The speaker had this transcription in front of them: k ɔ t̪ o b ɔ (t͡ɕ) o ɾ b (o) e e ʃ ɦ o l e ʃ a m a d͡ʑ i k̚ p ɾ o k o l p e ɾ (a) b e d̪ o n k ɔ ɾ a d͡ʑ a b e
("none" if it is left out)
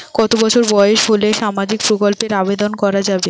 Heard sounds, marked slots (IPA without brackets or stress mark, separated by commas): t͡ɕʰ, ɔ, a